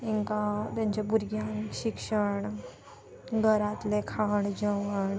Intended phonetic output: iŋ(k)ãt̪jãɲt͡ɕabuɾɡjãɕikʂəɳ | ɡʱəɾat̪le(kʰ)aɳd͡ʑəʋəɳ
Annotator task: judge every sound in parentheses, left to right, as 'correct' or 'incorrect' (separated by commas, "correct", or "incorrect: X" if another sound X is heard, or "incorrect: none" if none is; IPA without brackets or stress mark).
correct, correct